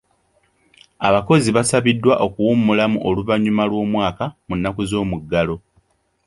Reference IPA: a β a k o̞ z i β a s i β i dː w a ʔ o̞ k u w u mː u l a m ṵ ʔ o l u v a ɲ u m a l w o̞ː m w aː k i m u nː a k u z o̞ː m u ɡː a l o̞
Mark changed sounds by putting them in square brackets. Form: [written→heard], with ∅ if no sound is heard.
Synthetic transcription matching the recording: a β a k o̞ z i β a s [i→a] β i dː w a ʔ o̞ k u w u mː u l a m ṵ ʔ o l u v a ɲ u m a l w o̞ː m w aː k [i→a] m u nː a k u z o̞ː m u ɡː a l o̞